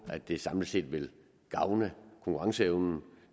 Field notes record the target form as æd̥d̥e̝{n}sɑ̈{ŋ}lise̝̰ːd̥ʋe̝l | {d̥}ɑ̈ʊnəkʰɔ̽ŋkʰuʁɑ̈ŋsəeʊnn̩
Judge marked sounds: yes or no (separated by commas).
no, no, no